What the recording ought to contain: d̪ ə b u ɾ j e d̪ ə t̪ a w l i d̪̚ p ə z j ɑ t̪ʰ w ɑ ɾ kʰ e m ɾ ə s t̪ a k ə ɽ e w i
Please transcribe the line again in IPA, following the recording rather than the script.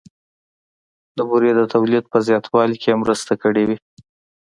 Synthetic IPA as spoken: d̪ ə b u ɾ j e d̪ ə t̪ a w l i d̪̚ p ə z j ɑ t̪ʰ w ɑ l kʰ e m ɾ ə s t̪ a k ə ɽ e w i